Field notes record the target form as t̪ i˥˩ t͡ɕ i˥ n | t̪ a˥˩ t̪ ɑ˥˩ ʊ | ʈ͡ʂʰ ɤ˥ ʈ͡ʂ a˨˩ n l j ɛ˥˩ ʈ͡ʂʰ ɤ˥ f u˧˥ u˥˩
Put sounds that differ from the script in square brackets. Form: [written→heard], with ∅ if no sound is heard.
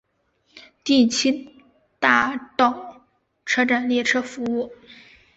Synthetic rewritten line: t̪ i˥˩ [t͡ɕ→t͡ɕʰ] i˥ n | t̪ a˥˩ t̪ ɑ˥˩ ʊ | ʈ͡ʂʰ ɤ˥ ʈ͡ʂ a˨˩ n l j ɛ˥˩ ʈ͡ʂʰ ɤ˥ f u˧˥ u˥˩